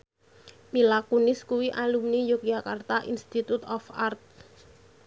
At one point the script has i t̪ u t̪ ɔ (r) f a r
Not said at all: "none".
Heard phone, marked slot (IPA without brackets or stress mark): none